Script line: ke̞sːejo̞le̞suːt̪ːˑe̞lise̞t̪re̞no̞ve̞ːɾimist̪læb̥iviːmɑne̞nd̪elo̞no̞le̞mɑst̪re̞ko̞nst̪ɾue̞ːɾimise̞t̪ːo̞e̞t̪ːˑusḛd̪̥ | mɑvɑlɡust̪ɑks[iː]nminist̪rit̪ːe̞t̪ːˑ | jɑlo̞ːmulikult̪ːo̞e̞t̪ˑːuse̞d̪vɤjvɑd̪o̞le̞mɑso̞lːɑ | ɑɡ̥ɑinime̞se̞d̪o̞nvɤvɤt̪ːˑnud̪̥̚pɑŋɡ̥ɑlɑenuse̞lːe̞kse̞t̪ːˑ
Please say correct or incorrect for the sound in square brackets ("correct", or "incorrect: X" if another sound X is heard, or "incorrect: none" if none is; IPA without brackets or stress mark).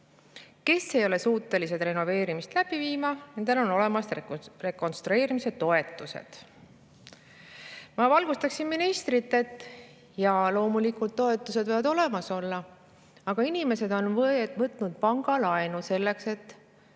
incorrect: i